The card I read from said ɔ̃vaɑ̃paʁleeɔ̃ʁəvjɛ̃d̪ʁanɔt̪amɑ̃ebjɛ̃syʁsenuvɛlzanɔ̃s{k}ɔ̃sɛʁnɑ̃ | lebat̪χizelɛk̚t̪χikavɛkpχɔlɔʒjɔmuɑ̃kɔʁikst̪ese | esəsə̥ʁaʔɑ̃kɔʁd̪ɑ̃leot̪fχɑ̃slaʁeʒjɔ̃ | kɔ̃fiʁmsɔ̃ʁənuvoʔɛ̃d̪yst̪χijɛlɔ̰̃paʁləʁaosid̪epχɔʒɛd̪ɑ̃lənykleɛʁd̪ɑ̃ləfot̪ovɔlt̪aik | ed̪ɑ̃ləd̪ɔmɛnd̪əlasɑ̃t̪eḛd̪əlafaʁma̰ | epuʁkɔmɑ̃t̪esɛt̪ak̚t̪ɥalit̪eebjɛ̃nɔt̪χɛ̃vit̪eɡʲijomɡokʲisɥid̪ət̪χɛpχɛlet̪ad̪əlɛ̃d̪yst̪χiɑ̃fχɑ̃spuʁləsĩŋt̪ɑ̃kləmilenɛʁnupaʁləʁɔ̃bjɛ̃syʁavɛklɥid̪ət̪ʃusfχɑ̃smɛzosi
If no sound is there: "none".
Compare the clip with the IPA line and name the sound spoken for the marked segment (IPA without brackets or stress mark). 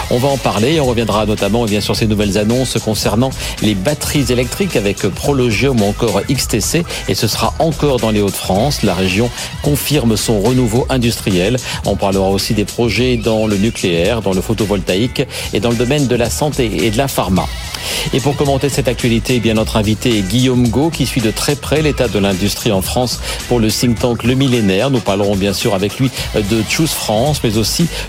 k